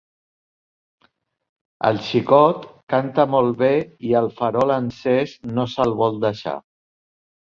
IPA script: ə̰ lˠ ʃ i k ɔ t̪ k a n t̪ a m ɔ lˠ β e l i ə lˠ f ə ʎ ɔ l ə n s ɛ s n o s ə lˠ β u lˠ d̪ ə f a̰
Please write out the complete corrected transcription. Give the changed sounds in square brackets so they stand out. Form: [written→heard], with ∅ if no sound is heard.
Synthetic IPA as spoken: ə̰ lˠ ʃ i k ɔ t̪ k a n t̪ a m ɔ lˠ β e [l→∅] i ə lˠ f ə [ʎ→ɾ] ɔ l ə n s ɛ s n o s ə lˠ β [u→ɔ] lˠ d̪ ə [f→ʃ] a̰